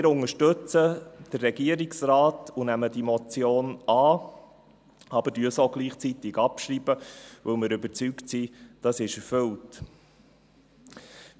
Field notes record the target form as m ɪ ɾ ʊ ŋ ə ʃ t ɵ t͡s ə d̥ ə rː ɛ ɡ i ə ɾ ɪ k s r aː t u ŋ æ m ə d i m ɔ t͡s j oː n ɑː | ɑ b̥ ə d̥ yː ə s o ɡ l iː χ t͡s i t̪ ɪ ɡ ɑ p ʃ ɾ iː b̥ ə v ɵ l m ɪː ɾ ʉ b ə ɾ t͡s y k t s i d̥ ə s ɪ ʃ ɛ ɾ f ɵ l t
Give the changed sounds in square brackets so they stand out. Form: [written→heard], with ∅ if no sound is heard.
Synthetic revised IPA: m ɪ ɾ ʊ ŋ ə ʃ t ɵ t͡s ə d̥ ə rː ɛ ɡ i ə ɾ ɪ k s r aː t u [ŋ→n] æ m ə d i m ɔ t͡s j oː n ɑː | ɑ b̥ ə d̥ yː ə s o ɡ l iː χ t͡s i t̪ ɪ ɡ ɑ p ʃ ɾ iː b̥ ə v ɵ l m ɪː ɾ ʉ b ə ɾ t͡s y k t s i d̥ [ə→ɑ] s ɪ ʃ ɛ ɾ f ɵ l t

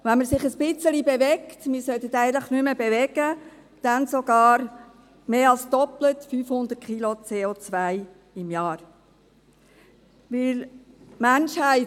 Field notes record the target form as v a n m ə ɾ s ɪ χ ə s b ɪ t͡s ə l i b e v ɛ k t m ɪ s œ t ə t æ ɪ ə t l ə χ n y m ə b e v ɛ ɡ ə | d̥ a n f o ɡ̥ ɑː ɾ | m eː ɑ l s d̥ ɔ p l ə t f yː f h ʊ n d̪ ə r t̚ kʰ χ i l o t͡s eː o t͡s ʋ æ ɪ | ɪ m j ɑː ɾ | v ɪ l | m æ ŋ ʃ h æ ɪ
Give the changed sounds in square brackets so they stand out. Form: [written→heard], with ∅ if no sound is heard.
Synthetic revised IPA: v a n m ə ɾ s ɪ χ ə s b ɪ t͡s ə l i b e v ɛ k t m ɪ s œ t ə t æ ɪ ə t l ə χ n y m ə b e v ɛ ɡ ə | d̥ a n [f→s] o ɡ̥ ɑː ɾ | m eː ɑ l s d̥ ɔ p l ə t f yː f h ʊ n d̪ ə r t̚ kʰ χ i l o t͡s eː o t͡s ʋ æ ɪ | ɪ m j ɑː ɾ | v ɪ l | m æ [ŋ→n] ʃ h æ ɪ

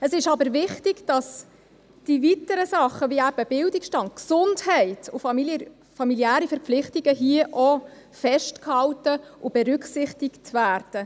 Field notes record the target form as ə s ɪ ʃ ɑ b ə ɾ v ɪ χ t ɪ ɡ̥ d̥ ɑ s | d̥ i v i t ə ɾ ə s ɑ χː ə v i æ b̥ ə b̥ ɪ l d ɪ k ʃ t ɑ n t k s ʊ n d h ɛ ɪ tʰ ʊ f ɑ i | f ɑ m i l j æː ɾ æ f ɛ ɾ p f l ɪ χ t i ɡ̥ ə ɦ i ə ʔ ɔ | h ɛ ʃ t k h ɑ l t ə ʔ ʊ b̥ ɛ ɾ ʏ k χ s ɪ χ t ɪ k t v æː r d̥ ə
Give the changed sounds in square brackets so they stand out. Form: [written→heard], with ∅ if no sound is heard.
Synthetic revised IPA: ə s ɪ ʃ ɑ b ə ɾ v ɪ χ t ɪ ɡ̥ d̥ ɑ s | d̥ i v i t ə ɾ ə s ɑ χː ə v i æ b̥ ə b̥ ɪ l d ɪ k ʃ t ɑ n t k s ʊ n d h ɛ ɪ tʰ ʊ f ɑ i | f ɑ m i l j æː ɾ [æ→i] f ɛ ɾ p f l ɪ χ t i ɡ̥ ə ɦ i ə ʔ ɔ | [h→f] ɛ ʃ t k h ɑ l t ə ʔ ʊ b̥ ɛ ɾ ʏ k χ s ɪ χ t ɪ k t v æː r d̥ ə

